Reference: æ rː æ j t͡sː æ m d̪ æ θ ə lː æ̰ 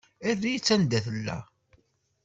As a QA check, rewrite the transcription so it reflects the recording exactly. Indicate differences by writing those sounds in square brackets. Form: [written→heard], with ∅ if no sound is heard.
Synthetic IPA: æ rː [æ→i] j t͡sː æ [m→n] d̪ æ θ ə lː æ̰